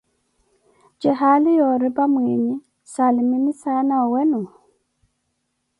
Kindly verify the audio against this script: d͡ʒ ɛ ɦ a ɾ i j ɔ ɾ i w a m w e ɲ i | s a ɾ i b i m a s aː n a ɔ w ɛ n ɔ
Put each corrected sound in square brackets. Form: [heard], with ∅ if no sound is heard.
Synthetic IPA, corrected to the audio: d͡ʒ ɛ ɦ a [l] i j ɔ ɾ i [b] a m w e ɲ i | s a [l] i [m] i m [i] s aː n a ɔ w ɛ n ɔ